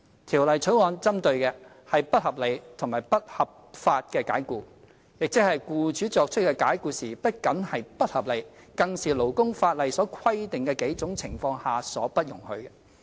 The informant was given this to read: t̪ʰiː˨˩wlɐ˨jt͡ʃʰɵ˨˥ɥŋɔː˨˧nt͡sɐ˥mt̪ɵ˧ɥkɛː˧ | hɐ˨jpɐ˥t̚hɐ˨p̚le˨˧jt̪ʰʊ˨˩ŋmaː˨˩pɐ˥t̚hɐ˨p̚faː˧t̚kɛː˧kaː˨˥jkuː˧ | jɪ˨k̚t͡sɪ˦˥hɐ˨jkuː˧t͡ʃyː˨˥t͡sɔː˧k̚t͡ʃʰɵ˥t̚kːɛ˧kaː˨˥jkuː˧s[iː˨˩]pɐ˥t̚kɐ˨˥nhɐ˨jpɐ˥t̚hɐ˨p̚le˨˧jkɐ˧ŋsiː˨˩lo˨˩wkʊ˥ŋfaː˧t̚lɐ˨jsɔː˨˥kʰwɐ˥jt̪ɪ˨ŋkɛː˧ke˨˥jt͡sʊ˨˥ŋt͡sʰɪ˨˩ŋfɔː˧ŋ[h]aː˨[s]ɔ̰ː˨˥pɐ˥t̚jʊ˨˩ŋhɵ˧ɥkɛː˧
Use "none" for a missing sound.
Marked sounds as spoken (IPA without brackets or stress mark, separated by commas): iː˨˩, h, s